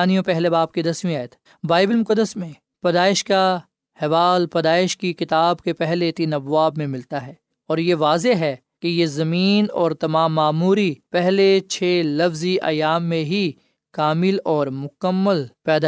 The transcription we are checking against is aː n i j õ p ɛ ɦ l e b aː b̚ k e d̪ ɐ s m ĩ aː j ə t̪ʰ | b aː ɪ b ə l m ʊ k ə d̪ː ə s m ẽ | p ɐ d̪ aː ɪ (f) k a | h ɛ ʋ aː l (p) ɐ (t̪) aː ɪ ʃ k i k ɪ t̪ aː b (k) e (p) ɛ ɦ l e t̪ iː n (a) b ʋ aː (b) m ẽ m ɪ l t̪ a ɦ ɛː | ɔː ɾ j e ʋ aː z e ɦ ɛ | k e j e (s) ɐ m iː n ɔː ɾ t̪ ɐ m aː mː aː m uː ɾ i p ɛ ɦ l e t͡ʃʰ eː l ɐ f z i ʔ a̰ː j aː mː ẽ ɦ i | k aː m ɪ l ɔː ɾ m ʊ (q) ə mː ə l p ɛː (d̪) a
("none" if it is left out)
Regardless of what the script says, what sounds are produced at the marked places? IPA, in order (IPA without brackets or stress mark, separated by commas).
ʃ, p, d̪, k, p, ɐ, b, z, k, d̪